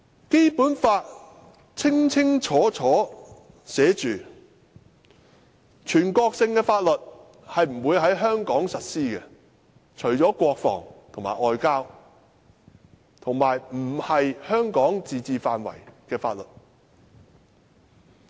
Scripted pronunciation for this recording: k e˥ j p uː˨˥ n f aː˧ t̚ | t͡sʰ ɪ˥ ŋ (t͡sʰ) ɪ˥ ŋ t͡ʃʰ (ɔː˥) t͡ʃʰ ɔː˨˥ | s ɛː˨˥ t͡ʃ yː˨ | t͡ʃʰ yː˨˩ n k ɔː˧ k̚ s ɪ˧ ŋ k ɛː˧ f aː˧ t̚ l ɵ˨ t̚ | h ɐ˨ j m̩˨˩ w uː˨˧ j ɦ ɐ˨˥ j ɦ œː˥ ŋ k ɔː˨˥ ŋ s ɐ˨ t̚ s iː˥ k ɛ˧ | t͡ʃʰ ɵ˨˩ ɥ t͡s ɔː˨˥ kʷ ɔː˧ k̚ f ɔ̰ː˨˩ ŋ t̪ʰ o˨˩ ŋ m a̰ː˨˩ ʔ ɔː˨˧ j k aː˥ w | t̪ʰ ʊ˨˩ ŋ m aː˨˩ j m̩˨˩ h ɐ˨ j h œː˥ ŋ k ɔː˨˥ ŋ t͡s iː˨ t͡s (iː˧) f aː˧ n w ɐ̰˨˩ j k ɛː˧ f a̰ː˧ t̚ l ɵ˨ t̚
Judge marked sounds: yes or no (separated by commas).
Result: yes, no, yes